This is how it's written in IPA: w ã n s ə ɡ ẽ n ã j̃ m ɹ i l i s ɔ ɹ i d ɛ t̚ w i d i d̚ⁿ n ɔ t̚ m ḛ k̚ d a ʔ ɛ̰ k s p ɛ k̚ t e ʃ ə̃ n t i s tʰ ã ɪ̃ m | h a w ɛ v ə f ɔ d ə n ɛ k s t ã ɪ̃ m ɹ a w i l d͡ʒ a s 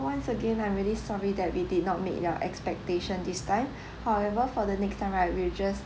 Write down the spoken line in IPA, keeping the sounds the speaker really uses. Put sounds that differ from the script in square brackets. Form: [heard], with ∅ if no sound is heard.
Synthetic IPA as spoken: w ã n s ə ɡ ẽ n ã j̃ m ɹ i l i s ɔ ɹ i d ɛ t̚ w i d i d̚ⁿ n ɔ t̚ m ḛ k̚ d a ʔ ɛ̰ k s p ɛ k̚ t e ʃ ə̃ n [d] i s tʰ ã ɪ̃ m | h a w ɛ v ə f ɔ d ə n ɛ k s t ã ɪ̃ m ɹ a w i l d͡ʒ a s